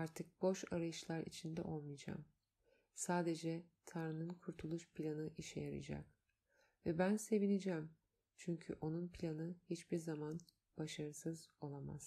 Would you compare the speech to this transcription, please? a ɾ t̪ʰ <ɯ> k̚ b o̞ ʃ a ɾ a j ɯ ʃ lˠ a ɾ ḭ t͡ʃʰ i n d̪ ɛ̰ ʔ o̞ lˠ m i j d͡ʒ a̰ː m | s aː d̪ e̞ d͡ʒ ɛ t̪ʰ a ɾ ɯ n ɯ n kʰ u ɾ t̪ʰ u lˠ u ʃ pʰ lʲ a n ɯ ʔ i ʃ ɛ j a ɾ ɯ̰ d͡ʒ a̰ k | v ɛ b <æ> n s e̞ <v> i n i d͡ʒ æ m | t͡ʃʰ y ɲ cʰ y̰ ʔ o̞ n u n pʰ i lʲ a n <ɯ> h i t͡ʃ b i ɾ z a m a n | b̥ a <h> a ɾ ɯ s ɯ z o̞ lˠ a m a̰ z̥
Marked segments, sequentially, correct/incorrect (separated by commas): correct, correct, correct, correct, incorrect